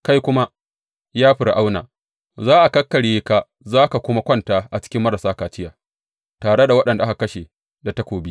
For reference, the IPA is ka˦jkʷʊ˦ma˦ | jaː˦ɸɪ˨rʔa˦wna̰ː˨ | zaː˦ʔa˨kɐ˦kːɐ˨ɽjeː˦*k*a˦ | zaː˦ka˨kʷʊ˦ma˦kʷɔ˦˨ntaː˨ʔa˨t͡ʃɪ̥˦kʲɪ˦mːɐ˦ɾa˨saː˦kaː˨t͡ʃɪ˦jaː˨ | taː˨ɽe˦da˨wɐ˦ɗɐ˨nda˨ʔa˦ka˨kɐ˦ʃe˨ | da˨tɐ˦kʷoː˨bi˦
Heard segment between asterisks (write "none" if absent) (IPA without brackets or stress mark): k